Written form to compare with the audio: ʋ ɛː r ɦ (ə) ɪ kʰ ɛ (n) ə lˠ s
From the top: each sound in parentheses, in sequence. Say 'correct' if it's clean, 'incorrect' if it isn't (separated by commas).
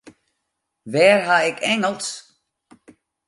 incorrect, incorrect